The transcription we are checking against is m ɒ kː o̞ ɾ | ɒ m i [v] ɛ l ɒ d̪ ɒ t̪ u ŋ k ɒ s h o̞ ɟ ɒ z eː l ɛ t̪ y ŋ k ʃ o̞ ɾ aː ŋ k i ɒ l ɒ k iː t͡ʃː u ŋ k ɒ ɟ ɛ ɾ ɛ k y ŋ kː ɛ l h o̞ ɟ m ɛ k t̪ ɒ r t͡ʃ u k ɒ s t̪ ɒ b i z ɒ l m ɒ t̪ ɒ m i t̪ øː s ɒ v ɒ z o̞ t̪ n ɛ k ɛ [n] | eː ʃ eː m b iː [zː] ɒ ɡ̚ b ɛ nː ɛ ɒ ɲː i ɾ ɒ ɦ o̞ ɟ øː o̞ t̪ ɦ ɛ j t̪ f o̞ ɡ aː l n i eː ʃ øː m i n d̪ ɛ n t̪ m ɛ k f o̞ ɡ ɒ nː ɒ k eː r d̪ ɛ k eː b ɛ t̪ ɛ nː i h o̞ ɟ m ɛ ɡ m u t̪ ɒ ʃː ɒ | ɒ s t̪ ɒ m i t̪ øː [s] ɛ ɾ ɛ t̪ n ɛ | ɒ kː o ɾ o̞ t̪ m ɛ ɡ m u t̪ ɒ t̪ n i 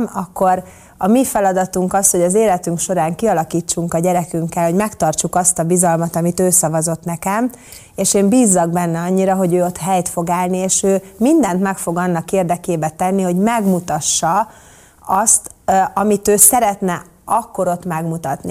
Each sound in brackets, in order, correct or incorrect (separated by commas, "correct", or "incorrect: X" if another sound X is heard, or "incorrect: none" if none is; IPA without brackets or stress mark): incorrect: f, incorrect: m, correct, correct